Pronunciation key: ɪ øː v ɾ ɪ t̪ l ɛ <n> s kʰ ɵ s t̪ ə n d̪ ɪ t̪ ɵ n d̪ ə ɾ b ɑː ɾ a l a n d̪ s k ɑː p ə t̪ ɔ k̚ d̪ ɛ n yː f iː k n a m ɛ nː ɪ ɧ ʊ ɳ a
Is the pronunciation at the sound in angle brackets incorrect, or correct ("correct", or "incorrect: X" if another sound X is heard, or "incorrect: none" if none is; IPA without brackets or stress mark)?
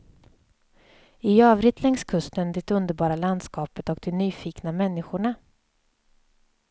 incorrect: ŋ